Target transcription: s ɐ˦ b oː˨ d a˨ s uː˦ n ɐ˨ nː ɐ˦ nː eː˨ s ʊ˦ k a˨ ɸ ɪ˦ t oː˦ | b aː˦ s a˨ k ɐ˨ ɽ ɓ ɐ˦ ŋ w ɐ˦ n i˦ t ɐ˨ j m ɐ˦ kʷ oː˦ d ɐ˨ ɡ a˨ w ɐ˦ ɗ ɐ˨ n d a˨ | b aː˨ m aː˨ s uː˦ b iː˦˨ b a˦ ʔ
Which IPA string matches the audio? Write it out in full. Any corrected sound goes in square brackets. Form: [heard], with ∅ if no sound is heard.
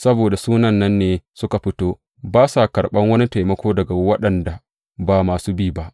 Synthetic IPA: s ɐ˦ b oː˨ d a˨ s uː˦ n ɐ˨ nː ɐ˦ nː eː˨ s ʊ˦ k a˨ ɸ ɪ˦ t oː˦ | b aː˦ s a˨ k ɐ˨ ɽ ɓ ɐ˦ ŋ w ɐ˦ n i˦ t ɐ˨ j m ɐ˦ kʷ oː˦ d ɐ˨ ɡ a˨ w ɐ˦ ɗ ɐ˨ n d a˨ | b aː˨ m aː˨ s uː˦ b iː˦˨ b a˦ ʔ